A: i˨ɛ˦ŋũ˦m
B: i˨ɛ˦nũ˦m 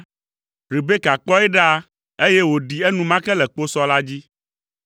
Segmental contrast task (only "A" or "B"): B